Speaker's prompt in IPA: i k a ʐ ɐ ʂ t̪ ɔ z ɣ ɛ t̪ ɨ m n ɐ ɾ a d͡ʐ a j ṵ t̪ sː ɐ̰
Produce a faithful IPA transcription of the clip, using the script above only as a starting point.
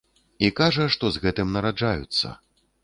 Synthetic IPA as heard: i k a ʐ ɐ ʂ t̪ ɔ z ɣ ɛ t̪ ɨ m n ɐ ɾ a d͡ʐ a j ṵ t̪ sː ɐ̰